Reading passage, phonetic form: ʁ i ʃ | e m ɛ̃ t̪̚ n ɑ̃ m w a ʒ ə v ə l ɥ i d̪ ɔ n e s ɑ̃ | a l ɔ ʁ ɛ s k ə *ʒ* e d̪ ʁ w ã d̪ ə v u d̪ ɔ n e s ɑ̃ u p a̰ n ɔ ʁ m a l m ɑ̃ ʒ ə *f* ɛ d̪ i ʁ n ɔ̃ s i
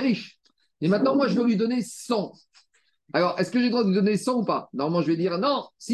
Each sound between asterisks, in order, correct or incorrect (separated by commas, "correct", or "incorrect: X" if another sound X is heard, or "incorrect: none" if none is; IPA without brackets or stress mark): correct, incorrect: v